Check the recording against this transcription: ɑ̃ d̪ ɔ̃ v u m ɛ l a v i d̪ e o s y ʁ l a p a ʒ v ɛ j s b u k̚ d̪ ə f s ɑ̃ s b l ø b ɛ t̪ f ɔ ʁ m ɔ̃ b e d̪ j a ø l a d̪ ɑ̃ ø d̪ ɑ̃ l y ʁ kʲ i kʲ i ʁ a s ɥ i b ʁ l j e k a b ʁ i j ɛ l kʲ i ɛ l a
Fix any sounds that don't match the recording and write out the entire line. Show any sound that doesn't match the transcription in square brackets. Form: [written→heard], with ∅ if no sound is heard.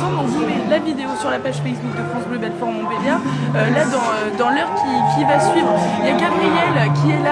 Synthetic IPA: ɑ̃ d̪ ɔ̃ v u m ɛ l a v i d̪ e o s y ʁ l a p a ʒ [v→f] ɛ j s b u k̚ d̪ ə f [s→χ] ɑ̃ s b l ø b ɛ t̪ f ɔ ʁ m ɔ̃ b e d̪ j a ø l a d̪ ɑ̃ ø d̪ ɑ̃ l [y→œ] ʁ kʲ i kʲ i [ʁ→v] a s ɥ i [b→v] ʁ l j [e→a] k a b ʁ i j ɛ l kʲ i ɛ l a